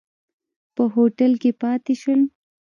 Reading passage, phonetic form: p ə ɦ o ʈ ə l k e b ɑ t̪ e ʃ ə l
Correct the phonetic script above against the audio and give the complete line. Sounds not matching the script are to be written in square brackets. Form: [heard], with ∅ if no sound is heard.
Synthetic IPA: p ə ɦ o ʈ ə l k e [p] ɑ t̪ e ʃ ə l